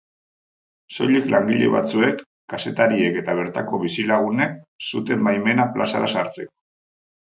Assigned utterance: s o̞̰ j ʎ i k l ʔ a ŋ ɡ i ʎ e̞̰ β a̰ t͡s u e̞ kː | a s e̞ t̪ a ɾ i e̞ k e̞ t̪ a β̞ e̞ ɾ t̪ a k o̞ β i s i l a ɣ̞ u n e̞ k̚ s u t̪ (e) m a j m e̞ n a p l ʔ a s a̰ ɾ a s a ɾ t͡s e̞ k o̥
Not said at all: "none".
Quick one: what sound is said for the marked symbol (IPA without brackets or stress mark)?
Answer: e